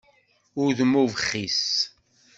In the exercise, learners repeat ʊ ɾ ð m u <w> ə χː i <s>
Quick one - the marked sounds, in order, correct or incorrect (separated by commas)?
incorrect, correct